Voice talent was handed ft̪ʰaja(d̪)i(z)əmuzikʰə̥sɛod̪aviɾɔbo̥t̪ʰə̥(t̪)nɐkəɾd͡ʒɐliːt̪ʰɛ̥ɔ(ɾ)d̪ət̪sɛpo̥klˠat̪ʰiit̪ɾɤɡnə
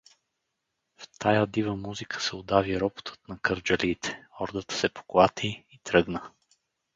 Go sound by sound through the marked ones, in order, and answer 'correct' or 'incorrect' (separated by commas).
correct, incorrect, correct, correct